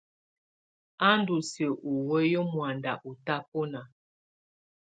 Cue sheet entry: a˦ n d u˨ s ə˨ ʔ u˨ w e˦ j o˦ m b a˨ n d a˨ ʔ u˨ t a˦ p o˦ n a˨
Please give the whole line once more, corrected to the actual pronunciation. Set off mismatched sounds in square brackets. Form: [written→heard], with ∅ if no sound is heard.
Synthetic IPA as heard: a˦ n d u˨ s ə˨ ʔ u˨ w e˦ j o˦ m [b→w] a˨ n d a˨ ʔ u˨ t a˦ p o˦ n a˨